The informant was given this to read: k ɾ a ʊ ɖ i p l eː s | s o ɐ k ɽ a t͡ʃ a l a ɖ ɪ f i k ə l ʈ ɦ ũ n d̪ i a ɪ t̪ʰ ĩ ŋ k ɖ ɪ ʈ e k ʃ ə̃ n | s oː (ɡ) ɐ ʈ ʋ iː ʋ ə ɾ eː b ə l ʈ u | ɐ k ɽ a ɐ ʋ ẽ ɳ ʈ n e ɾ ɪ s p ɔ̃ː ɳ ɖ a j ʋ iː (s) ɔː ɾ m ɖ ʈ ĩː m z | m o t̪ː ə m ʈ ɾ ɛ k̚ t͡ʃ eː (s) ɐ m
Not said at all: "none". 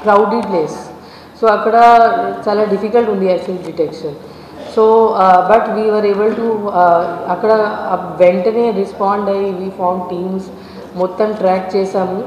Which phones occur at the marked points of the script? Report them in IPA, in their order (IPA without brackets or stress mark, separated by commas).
b, f, s